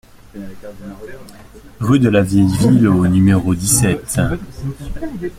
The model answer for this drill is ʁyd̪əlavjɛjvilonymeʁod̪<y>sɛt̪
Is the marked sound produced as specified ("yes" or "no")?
no